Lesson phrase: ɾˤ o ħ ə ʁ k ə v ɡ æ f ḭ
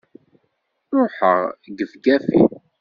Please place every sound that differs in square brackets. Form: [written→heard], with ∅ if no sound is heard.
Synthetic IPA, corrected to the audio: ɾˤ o ħ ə ʁ [k→ɡ] ə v ɡ æ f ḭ